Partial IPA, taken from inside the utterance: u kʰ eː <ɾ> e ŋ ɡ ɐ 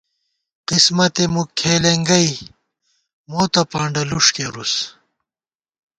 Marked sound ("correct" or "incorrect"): incorrect